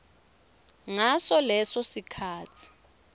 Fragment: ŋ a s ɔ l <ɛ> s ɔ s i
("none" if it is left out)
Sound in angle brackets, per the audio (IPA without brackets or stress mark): ɛ